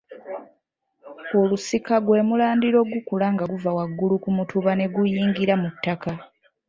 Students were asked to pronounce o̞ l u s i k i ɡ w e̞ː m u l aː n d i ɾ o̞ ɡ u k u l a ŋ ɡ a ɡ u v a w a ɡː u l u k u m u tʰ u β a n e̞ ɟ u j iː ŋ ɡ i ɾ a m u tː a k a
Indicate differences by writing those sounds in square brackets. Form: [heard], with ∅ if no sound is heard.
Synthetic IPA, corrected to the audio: o̞ l u s i k [a] ɡ w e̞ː m u l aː n d i ɾ o̞ ɡ u k u l a ŋ ɡ a ɡ u v a w a ɡː u l u k u m u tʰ u β a n e̞ [ɡ] u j iː ŋ ɡ i ɾ a m u tː a k a

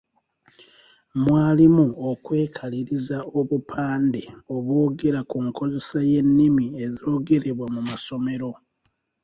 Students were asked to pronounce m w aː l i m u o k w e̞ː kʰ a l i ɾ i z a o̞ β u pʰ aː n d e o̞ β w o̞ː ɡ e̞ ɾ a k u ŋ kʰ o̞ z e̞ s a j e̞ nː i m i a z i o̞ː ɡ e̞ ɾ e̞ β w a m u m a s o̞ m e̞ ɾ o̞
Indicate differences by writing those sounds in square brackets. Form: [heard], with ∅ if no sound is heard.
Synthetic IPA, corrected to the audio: m w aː l i m u o k w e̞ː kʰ a l i ɾ i z a o̞ β u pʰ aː n d e o̞ β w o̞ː ɡ e̞ ɾ a k u ŋ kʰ o̞ z e̞ s a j e̞ nː i m i [e] z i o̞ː ɡ e̞ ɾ e̞ β w a m u m a s o̞ m e̞ ɾ o̞

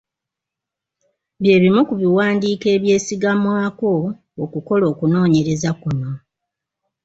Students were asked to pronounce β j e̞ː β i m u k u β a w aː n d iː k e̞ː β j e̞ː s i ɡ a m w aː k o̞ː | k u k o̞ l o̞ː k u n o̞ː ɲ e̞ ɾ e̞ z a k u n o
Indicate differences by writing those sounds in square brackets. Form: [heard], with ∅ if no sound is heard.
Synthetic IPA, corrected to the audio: β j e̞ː β i m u k u β [i] w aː n d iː k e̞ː β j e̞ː s i ɡ a m w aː k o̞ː | k u k o̞ l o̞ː k u n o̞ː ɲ e̞ ɾ e̞ z a k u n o

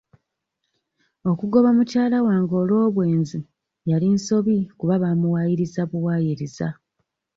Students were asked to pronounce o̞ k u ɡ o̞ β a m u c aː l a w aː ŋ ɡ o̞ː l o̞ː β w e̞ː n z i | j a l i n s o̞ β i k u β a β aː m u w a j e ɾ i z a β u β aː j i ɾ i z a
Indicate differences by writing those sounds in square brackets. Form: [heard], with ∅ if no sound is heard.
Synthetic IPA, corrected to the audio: o̞ k u ɡ o̞ β a m u c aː l a w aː ŋ ɡ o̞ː l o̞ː β w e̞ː n z i | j a l i n s o̞ β i k u β a β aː m u w a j [i] ɾ i z a β u [w] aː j i ɾ i z a

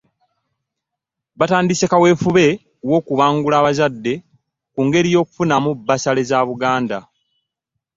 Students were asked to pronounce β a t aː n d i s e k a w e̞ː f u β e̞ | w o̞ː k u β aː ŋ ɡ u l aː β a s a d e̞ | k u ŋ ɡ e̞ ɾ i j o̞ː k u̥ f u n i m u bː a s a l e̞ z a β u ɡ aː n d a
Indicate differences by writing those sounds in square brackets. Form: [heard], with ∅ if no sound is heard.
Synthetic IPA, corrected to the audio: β a t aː n d i s e k a w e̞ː f u β e̞ | w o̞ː k u β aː ŋ ɡ u l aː β a [z] a [dː] e̞ | k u ŋ ɡ e̞ ɾ i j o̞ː k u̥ f u n [a] m u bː a s a l e̞ z a β u ɡ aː n d a

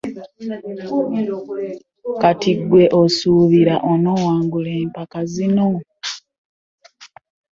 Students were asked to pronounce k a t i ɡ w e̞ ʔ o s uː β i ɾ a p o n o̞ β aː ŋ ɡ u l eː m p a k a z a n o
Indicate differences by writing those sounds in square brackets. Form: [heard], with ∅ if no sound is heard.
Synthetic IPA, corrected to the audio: k a t i ɡ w e̞ ʔ o s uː β i ɾ a [ʔ] o n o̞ [w] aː ŋ ɡ u l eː m p a k a z [i] n o

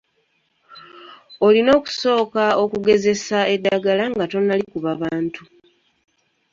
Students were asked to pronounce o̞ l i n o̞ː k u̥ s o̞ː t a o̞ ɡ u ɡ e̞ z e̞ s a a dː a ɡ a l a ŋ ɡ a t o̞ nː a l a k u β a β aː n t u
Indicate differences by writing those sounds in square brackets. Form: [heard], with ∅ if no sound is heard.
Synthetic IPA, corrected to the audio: o̞ l i n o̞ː k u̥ s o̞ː [k] a o̞ [k] u ɡ e̞ z e̞ s a [e] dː a ɡ a l a ŋ ɡ a t o̞ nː a l [i] k u β a β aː n t u

